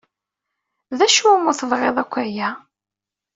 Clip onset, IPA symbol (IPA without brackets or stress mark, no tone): ð